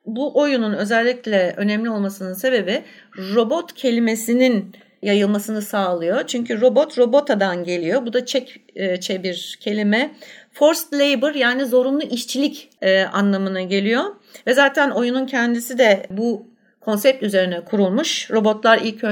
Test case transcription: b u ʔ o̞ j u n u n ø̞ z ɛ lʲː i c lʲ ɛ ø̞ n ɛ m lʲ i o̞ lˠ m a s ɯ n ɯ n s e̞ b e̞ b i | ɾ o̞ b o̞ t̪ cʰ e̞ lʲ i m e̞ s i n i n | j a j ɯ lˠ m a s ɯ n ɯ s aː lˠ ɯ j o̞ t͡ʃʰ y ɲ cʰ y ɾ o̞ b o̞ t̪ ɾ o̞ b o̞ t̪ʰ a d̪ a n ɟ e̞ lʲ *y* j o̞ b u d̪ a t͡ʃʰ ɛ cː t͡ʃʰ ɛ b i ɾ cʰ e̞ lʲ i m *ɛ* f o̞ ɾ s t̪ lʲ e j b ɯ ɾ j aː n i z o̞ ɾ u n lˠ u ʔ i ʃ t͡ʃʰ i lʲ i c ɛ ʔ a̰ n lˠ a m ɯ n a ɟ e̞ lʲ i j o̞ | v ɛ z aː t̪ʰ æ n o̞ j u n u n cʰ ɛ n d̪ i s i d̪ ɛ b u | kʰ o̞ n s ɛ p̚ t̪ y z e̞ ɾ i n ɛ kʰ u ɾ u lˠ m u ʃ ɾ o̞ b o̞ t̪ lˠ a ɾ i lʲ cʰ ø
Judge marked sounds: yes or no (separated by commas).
no, yes